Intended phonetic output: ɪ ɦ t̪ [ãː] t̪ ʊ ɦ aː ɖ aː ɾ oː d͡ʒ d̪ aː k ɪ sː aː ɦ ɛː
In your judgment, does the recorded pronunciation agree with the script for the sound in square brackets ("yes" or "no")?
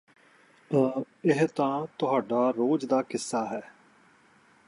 yes